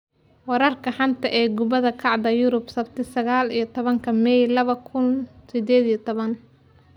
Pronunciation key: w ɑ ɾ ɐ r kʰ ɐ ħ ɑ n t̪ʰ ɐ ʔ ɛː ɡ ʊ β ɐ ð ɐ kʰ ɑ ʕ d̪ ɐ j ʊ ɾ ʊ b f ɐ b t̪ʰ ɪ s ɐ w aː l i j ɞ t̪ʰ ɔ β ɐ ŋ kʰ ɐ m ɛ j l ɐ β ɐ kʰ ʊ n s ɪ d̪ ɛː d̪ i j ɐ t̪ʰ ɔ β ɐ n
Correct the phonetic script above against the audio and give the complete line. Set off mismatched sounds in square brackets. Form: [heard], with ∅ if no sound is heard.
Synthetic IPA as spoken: w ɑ ɾ ɐ r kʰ ɐ ħ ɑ n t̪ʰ ɐ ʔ ɛː ɡ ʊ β ɐ ð ɐ kʰ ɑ ʕ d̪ ɐ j ʊ ɾ ʊ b [s] ɐ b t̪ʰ ɪ s ɐ [ɣ] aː l i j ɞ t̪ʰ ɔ β ɐ ŋ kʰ ɐ m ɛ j l ɐ β ɐ kʰ ʊ n s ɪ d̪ ɛː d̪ i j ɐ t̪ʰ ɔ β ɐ n